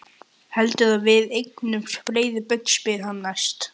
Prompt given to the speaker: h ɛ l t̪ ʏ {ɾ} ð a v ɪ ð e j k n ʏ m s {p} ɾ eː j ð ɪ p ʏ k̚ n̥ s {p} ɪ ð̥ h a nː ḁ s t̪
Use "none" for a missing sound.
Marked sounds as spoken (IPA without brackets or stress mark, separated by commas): none, p, p